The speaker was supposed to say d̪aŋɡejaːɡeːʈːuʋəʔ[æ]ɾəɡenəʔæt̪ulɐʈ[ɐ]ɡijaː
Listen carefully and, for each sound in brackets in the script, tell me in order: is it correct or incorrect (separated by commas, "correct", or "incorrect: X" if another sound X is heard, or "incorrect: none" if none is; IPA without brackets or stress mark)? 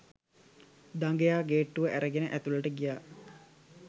correct, incorrect: ə